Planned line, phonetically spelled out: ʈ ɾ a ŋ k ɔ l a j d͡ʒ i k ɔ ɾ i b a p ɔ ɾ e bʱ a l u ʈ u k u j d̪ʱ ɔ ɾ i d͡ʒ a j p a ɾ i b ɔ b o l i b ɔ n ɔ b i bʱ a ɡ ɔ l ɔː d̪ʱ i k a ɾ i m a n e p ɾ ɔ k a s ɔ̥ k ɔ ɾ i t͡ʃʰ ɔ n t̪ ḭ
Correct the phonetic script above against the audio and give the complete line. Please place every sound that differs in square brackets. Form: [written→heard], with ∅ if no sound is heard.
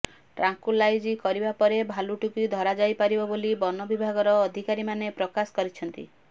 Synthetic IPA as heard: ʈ ɾ a ŋ k [ɔ→u] l a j d͡ʒ i k ɔ ɾ i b a p ɔ ɾ e bʱ a l u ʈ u k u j d̪ʱ ɔ ɾ [i→a] d͡ʒ a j p a ɾ i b ɔ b o l i b ɔ n ɔ b i bʱ a ɡ ɔ [l→ɾ] ɔː d̪ʱ i k a ɾ i m a n e p ɾ ɔ k a s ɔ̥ k ɔ ɾ i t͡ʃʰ ɔ n t̪ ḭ